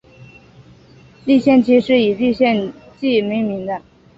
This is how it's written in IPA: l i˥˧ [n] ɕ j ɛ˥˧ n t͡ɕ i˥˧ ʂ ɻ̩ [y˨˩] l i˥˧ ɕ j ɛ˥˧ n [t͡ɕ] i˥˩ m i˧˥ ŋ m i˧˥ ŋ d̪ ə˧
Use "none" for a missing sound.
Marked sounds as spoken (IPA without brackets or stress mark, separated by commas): none, i˨˩, t͡ɕ